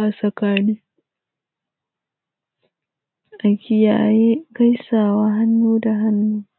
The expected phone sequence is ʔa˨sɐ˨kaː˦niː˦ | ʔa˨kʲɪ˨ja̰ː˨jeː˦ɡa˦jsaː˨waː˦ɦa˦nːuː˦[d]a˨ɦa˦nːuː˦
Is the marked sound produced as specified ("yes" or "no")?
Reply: yes